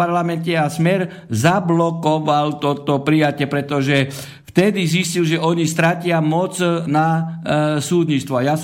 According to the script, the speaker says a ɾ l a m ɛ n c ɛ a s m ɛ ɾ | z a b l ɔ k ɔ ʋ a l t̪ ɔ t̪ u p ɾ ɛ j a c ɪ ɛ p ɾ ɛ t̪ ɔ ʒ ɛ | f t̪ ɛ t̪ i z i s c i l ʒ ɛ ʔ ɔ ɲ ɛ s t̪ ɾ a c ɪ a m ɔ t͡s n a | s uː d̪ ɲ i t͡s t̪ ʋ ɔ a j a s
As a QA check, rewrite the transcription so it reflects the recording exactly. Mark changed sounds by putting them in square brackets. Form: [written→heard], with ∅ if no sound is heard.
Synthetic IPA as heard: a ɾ l a m ɛ n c ɛ a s m ɛ ɾ | z a b l ɔ k ɔ ʋ a l t̪ ɔ t̪ [u→ɔ] p ɾ [ɛ→i] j a c ɪ ɛ p ɾ ɛ t̪ ɔ ʒ ɛ | f t̪ ɛ [t̪→d̪] i z i s c i l ʒ ɛ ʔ ɔ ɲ [ɛ→i] s t̪ ɾ a c ɪ a m ɔ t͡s n a | s uː d̪ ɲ i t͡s t̪ ʋ ɔ a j a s